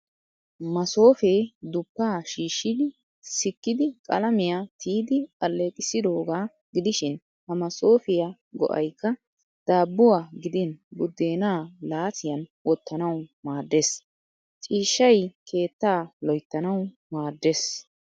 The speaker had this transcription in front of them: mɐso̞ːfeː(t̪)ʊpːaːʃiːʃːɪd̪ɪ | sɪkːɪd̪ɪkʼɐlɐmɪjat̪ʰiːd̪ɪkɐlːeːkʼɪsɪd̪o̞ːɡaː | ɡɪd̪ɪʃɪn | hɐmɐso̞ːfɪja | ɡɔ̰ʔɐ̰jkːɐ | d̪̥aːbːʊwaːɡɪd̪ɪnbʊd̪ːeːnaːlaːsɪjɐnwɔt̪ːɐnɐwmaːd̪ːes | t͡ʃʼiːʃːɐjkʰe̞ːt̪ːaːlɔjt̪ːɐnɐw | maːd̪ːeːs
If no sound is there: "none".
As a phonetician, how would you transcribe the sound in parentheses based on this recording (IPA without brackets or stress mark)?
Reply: d̪